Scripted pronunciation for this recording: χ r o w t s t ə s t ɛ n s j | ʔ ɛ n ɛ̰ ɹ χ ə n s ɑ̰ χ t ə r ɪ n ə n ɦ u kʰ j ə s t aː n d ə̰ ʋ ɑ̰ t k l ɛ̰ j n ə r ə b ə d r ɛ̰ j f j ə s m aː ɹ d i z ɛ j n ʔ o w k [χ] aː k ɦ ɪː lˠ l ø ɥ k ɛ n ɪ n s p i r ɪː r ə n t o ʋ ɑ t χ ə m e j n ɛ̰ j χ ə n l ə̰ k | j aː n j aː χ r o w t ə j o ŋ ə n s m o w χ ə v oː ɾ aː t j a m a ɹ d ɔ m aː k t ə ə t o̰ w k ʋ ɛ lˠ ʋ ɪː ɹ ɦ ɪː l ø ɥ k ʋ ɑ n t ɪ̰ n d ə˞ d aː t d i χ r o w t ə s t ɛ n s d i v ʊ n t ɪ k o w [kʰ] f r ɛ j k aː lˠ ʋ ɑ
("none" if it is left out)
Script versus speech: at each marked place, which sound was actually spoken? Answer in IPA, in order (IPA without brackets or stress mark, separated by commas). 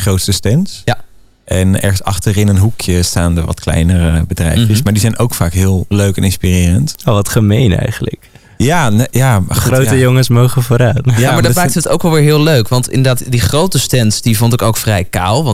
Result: f, k